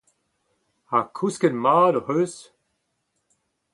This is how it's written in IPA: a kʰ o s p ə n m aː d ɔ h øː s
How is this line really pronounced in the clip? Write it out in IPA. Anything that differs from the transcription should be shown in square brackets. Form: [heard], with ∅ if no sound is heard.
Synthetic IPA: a kʰ [u] s [k] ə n m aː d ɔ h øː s